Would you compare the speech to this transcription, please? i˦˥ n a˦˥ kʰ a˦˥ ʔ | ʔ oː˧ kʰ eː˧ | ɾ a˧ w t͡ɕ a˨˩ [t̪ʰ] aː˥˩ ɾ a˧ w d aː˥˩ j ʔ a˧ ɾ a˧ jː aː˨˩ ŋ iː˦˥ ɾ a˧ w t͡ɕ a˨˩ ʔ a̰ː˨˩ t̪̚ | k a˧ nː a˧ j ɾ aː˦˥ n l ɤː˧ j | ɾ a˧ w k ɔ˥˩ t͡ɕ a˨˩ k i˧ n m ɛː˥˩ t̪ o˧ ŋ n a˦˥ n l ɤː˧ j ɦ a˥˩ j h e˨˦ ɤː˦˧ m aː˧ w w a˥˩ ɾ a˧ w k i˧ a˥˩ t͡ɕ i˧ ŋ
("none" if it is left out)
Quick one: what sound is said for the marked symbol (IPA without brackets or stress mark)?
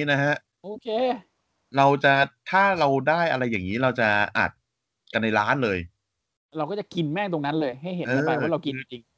t̪ʰ